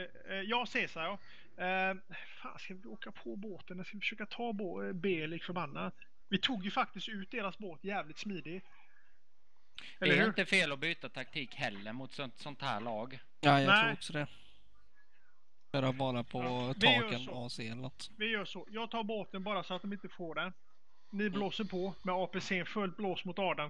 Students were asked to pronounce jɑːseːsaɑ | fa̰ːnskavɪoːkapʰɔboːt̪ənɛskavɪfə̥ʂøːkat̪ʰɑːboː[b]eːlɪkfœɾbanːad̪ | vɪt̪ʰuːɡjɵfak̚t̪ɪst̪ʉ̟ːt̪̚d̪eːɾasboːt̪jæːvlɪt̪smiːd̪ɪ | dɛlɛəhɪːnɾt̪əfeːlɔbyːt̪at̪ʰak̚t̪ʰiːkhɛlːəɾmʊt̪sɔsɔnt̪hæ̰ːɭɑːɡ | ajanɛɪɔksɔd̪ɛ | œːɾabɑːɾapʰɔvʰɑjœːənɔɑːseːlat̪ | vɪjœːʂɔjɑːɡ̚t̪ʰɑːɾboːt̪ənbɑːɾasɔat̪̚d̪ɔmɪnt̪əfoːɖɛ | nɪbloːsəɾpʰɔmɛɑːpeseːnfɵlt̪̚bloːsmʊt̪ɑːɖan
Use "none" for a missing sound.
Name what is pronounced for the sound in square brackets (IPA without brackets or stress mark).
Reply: b